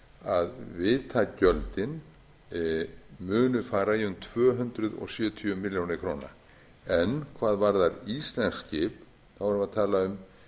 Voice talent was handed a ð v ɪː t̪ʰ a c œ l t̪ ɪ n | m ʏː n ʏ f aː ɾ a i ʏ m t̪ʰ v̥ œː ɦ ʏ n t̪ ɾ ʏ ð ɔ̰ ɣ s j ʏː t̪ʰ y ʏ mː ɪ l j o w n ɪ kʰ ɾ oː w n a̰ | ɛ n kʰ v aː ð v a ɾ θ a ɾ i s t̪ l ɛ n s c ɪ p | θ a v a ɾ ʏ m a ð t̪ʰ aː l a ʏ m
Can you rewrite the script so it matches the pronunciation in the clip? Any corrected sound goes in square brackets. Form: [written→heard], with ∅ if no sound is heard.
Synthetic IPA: a ð v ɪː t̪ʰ a c œ l t̪ ɪ n | m ʏː n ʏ f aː ɾ a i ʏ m t̪ʰ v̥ œː ɦ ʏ n t̪ ɾ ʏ ð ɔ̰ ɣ s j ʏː t̪ʰ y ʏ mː ɪ l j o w n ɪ kʰ ɾ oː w n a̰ | ɛ n kʰ v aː ð v a ɾ [θ→ð] a ɾ i s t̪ l ɛ n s c ɪ p | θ a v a ɾ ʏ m a ð t̪ʰ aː l a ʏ m